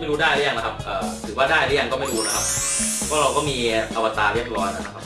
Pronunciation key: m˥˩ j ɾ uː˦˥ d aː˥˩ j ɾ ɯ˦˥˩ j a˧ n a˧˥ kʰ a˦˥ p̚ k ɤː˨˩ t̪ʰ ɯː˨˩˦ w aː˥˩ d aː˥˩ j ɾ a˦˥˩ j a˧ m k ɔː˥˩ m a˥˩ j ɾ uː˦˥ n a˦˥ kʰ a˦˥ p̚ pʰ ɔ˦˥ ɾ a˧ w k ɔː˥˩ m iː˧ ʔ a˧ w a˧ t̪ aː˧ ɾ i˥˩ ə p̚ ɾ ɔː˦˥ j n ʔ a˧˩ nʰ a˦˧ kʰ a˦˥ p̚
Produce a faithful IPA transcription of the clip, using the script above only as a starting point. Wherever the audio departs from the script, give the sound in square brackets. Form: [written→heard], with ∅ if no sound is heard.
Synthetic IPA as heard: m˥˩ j ɾ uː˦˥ d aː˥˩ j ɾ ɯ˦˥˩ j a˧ n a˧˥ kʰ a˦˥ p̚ [k→ʔ] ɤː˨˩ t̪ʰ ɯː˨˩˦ w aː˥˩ d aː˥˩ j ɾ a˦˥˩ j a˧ [m→ŋ] k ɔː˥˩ m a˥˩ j ɾ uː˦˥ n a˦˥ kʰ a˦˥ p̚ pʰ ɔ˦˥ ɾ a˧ w k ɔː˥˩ m iː˧ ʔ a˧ w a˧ t̪ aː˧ ɾ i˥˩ ə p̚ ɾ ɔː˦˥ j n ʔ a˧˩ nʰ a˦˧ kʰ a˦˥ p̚